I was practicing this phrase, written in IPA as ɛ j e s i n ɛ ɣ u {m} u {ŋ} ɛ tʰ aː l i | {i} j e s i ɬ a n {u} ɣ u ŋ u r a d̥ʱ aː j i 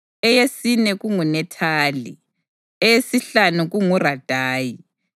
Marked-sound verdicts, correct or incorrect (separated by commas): incorrect, incorrect, incorrect, correct